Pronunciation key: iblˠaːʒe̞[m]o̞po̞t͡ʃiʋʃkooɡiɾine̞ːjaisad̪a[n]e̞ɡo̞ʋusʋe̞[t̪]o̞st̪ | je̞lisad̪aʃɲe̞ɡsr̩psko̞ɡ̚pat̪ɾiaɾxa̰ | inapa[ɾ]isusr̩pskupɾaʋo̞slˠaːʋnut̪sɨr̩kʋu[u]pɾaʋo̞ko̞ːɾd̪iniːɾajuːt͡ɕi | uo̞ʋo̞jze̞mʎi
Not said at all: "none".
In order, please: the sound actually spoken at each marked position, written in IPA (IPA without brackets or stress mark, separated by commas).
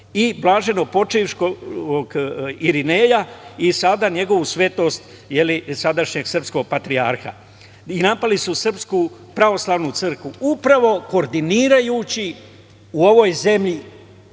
n, ɲ, t̪, l, u